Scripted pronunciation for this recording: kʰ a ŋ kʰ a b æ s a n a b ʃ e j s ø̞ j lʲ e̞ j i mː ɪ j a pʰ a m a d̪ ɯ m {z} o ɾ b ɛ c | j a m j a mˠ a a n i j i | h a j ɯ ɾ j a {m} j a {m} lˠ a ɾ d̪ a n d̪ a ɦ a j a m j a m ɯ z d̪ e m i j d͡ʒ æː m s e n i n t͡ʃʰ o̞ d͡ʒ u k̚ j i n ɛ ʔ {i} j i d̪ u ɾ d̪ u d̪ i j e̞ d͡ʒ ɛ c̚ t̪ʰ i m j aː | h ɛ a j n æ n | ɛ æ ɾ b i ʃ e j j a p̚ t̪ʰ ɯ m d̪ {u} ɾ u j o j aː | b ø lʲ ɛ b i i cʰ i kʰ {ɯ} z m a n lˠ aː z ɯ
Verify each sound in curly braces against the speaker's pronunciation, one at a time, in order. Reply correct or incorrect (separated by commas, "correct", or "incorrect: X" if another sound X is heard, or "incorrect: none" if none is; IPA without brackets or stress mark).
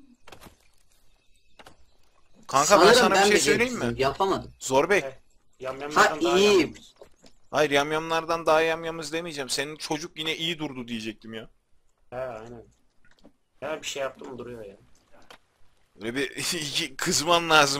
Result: correct, correct, correct, correct, correct, correct